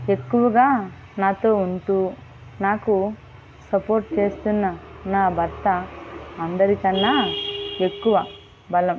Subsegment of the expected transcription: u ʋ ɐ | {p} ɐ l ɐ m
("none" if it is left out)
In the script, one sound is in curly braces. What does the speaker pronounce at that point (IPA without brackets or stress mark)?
b